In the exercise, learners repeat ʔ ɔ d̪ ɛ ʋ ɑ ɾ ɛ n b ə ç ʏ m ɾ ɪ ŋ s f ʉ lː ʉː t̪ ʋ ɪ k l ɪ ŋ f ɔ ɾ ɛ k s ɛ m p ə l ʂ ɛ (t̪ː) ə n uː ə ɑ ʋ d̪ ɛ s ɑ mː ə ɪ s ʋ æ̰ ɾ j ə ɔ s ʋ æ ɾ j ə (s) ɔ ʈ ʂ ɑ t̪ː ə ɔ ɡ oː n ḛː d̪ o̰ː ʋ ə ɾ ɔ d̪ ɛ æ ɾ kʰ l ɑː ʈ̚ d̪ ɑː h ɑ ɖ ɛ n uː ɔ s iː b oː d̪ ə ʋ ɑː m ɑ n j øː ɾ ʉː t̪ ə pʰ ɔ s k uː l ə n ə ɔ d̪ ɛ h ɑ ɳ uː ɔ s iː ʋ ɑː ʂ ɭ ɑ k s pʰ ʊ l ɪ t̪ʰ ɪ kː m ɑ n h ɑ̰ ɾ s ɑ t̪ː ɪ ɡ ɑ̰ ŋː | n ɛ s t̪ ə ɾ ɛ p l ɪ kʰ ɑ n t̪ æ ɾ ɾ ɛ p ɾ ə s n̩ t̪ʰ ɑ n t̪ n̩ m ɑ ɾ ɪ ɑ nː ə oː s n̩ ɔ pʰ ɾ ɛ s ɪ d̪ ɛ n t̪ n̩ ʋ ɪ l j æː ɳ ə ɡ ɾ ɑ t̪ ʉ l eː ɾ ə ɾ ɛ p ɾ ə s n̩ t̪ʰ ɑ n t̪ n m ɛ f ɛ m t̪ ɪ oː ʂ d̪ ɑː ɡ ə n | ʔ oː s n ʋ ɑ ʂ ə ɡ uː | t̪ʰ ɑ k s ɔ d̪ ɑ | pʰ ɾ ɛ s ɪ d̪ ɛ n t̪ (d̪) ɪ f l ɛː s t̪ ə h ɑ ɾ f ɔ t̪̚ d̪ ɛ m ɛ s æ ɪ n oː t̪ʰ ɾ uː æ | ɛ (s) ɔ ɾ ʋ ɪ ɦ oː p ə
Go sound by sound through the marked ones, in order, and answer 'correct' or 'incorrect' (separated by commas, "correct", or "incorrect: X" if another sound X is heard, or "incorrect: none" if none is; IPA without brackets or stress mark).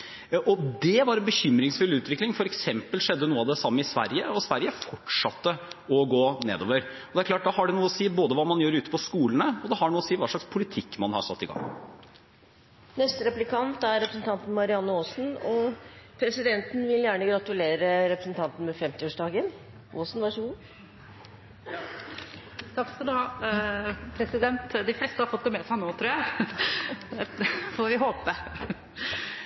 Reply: incorrect: d̪ː, incorrect: f, correct, incorrect: f